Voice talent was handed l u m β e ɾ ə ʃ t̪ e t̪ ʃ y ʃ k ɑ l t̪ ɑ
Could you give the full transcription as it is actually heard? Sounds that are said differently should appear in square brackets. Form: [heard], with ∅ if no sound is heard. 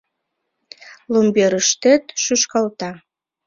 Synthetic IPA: l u m [b] e ɾ ə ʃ t̪ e t̪ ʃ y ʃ k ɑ l t̪ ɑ